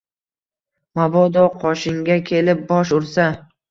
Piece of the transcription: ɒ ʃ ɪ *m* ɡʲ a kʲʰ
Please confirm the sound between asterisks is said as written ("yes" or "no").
no